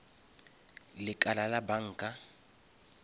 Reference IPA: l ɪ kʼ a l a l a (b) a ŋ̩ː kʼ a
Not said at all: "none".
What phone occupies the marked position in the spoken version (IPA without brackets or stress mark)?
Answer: b